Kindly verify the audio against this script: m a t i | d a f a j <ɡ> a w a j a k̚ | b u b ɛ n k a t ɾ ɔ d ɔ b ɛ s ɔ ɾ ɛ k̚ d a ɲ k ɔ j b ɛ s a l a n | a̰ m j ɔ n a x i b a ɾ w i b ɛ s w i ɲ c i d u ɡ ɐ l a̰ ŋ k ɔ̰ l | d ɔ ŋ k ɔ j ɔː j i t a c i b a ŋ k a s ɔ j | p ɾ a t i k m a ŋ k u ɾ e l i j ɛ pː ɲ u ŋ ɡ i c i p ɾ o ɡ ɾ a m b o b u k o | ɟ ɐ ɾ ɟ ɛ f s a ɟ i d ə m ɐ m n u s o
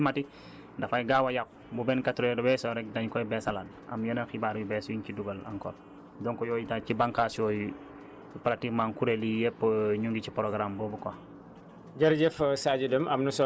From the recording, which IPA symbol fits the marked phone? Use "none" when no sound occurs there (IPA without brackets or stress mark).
ɡ